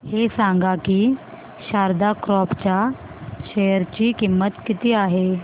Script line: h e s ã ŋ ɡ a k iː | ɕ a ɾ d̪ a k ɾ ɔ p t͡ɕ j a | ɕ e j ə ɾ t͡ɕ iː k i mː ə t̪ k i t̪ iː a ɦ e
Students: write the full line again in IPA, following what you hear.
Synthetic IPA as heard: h e s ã ŋ ɡ a k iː | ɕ a ɾ d̪ a k ɾ ɔ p t͡ɕ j a | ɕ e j ə ɾ t͡ɕ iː k i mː ə t̪ k i t̪ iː a ɦ e